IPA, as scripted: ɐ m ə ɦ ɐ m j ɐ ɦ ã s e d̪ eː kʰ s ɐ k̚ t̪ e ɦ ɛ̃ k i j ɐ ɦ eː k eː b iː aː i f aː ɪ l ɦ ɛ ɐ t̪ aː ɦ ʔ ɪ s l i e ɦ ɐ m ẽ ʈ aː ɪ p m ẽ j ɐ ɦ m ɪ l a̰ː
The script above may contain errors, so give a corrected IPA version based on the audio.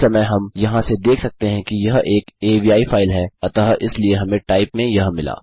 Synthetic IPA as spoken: ɐ m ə ɦ ɐ m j ɐ ɦ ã s e d̪ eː kʰ s ɐ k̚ t̪ e ɦ ɛ̃ k i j ɐ ɦ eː k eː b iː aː i f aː ɪ l ɦ ɛ ɐ t̪ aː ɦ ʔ ɪ s l i e ɦ ɐ m ẽ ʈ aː ɪ p m ẽ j ɐ ɦ m ɪ l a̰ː